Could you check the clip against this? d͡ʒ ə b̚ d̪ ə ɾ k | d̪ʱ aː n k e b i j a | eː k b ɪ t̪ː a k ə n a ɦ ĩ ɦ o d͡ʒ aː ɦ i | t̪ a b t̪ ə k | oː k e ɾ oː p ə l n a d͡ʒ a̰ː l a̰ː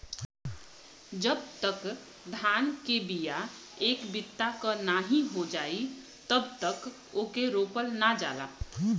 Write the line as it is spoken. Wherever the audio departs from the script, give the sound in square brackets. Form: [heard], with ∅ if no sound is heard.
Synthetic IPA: d͡ʒ ə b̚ [t̪] ə [∅] k | d̪ʱ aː n k e b i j a | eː k b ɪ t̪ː a k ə n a ɦ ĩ ɦ o d͡ʒ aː [∅] i | t̪ [ə] b t̪ ə k | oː k e ɾ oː p ə l n a d͡ʒ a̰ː l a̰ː